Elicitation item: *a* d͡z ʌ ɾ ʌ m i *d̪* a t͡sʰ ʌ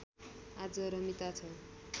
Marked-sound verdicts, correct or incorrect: correct, incorrect

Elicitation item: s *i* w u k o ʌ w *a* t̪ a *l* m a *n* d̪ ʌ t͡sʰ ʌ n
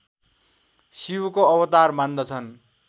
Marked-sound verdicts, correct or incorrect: correct, incorrect, incorrect, correct

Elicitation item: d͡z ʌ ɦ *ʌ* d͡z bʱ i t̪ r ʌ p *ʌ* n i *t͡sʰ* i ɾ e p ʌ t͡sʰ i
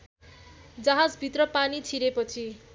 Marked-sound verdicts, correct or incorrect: incorrect, incorrect, correct

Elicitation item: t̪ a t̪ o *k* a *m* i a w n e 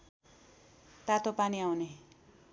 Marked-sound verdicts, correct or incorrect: incorrect, incorrect

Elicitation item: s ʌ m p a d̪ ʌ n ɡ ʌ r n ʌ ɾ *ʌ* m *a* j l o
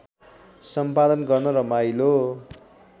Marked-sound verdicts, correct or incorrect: correct, correct

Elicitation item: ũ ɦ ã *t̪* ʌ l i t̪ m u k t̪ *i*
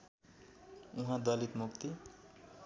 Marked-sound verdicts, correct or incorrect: incorrect, correct

